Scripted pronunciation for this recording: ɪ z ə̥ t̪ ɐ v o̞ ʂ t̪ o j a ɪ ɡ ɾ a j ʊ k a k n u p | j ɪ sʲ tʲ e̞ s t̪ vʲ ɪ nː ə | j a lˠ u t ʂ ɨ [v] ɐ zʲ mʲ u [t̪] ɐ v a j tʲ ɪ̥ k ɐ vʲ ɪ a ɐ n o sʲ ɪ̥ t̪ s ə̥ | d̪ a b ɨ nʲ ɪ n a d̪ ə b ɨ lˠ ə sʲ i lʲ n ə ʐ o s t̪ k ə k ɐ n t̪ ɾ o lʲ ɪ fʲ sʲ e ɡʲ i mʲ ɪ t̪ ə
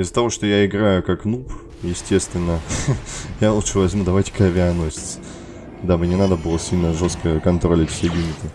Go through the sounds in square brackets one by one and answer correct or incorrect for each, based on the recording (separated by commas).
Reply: correct, incorrect